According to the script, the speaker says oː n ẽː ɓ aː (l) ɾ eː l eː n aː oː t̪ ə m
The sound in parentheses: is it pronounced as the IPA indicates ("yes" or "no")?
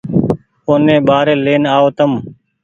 no